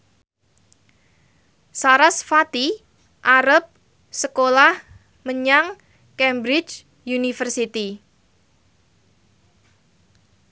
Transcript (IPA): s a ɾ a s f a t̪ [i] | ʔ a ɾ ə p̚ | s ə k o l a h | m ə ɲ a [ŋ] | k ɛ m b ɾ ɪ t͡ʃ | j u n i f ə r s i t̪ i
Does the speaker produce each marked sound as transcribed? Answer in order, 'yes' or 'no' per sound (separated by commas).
yes, yes